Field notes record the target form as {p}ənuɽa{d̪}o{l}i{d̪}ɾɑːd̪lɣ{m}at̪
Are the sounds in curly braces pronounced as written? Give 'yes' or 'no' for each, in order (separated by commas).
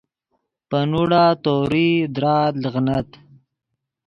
yes, no, no, yes, no